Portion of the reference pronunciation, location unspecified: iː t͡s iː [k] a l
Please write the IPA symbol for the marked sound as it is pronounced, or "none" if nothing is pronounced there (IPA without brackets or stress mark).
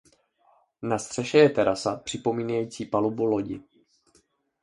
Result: p